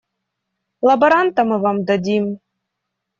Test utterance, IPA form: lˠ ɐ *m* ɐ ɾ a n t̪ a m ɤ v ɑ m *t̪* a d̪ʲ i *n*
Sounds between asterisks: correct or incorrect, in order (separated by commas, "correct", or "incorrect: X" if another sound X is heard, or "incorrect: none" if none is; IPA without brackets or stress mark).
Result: incorrect: b, incorrect: d̪, incorrect: m